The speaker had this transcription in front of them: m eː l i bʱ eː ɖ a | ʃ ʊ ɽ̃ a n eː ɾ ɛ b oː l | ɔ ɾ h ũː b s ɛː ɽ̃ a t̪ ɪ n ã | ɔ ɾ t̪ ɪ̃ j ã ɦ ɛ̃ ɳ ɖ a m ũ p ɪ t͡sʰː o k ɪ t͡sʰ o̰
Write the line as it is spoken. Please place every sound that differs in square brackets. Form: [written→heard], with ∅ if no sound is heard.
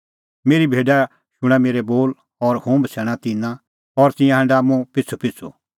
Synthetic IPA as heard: m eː [l→ɾ] i bʱ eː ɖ a | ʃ ʊ ɽ̃ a [n→m] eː ɾ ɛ b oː l | ɔ ɾ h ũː b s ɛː ɽ̃ a t̪ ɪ n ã | ɔ ɾ t̪ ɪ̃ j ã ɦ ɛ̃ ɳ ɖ a m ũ p ɪ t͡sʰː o [k→p] ɪ t͡sʰ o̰